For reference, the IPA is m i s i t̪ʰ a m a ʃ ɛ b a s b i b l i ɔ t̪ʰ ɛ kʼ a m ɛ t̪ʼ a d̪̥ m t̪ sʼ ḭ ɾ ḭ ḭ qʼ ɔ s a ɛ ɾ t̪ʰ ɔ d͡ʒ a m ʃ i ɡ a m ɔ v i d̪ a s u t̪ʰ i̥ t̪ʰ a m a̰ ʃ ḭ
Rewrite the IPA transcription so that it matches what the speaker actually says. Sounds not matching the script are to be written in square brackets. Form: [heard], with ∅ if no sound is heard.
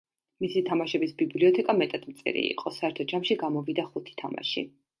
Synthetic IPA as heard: m i s i t̪ʰ a m a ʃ ɛ b [i] s b i b l i ɔ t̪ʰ ɛ kʼ a m ɛ t̪ʼ a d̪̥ m t̪ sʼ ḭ ɾ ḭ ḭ qʼ ɔ s a ɛ ɾ t̪ʰ ɔ d͡ʒ a m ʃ i ɡ a m ɔ v i d̪ a [χ] u t̪ʰ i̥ t̪ʰ a m a̰ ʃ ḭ